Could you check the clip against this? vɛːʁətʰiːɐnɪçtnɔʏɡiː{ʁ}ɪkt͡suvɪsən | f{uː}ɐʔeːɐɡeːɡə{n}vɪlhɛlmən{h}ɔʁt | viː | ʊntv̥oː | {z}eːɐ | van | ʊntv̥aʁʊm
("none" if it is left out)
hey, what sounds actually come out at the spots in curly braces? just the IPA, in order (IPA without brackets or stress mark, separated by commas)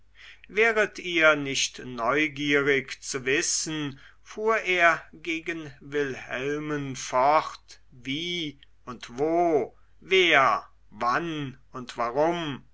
ʁ, uː, n, f, v